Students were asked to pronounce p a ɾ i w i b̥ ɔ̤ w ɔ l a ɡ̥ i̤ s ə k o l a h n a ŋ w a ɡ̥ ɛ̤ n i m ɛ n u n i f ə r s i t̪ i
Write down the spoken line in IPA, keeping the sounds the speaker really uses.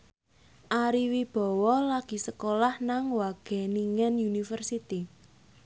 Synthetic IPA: ʔ a ɾ i w i b̥ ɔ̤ w ɔ l a ɡ̥ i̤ s ə k o l a h n a ŋ w a ɡ̥ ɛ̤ n i ŋ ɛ n u n i f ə r s i t̪ i